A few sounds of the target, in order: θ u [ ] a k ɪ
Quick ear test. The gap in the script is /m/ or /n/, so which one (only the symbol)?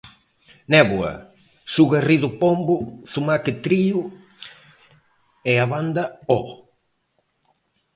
m